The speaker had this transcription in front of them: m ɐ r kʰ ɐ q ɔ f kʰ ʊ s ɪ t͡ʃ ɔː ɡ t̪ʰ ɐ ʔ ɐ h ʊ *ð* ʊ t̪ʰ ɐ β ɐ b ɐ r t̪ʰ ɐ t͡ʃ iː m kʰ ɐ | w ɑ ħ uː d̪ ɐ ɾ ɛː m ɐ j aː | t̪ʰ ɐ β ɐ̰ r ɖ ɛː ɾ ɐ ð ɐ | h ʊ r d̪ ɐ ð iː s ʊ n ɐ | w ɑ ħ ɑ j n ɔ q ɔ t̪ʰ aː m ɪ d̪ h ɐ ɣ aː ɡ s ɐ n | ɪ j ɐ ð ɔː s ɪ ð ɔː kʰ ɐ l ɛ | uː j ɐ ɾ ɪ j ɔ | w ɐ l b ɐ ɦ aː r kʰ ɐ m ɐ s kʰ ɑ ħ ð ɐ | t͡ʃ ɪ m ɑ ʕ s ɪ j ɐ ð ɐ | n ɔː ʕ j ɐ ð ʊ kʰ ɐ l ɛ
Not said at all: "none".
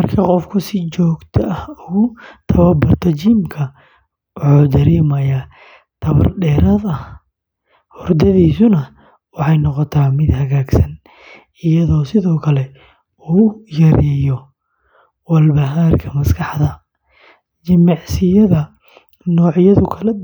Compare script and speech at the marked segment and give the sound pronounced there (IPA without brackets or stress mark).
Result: ɣ